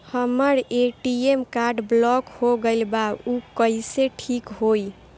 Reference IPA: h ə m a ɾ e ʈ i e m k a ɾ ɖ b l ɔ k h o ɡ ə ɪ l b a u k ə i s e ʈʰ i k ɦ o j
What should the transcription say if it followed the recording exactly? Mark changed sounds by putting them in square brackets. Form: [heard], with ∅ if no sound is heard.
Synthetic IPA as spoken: h ə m [ə] ɾ e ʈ i e m k a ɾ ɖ b l ɔ k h o ɡ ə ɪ l b a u k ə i s e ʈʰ i k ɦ o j